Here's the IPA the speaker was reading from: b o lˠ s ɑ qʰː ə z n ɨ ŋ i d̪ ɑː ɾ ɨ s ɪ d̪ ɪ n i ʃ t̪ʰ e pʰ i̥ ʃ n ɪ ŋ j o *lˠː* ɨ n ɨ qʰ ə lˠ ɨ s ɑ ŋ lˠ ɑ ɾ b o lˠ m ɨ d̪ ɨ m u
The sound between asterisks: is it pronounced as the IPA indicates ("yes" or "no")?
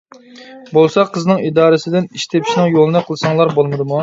no